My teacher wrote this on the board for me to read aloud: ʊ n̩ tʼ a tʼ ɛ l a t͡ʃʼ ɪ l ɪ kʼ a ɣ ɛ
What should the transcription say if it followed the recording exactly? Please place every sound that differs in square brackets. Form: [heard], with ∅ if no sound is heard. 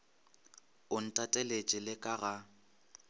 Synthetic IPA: ʊ n̩ tʼ a tʼ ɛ l [e] t͡ʃʼ ɪ l ɪ kʼ a ɣ [a]